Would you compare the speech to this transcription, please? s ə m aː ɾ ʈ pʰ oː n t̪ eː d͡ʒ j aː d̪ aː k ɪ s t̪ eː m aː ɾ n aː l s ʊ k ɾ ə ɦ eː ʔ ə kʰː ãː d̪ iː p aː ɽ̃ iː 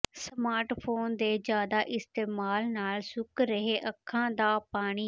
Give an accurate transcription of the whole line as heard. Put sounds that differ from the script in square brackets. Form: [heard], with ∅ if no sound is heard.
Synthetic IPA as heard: s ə m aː ɾ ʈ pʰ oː n [d̪] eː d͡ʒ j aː d̪ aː [ʔ] ɪ s t̪ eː m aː [l] n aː l s ʊ k ɾ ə ɦ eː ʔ ə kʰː ãː d̪ [aː] p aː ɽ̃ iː